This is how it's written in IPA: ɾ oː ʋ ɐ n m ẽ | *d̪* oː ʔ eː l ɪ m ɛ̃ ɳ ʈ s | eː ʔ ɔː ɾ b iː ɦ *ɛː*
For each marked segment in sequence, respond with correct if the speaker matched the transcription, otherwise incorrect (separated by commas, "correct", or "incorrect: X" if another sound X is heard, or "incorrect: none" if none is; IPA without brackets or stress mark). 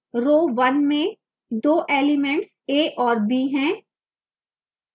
correct, incorrect: ɛ̃ː